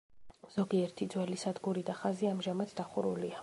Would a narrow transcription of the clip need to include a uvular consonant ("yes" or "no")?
yes